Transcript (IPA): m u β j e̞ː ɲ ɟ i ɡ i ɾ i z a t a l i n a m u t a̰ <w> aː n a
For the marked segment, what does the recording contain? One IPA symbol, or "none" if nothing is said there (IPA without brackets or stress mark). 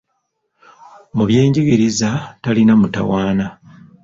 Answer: w